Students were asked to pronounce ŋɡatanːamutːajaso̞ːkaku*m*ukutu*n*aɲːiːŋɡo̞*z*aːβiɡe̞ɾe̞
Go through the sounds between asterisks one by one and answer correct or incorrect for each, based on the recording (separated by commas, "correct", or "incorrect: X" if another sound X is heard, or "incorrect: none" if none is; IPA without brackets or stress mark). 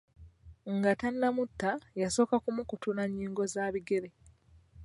correct, correct, correct